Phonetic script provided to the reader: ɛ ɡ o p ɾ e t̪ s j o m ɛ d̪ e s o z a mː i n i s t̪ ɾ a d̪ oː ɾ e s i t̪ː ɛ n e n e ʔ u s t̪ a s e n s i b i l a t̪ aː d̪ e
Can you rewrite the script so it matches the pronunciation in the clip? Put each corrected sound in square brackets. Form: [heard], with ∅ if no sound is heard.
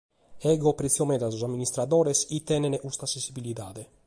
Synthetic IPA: ɛ ɡ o p ɾ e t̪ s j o m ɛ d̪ [a] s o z a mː i n i s t̪ ɾ a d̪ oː ɾ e s i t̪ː ɛ n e n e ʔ u s t̪ a s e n s i b i l [i] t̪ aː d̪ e